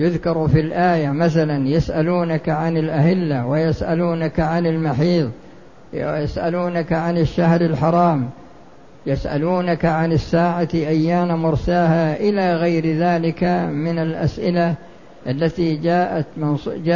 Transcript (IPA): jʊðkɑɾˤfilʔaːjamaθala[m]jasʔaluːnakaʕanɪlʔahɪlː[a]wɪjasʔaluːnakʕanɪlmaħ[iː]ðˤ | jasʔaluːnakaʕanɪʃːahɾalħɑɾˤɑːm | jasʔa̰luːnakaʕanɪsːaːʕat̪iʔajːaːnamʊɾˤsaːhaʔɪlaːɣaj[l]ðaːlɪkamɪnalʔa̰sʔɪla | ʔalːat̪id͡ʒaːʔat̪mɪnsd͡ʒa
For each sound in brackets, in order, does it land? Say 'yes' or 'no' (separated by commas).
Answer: no, yes, yes, no